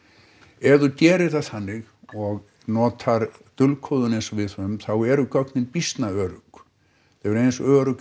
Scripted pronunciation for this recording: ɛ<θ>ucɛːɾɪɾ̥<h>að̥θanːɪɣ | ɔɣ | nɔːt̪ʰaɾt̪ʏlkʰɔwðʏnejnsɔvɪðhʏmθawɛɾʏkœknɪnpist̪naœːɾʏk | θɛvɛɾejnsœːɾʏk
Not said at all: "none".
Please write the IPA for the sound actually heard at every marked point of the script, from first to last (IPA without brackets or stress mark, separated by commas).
ð, θ